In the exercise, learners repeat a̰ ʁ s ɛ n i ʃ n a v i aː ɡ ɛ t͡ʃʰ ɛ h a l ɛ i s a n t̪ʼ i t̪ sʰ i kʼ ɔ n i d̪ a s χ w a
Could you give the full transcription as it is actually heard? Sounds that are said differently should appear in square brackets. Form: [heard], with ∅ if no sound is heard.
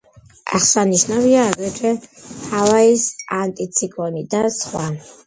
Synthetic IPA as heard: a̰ [χ] s [a] n i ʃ n a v i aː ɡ ɛ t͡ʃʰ ɛ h a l [a] i s a n t̪ʼ i t̪ sʰ i kʼ ɔ n i d̪ a s χ w a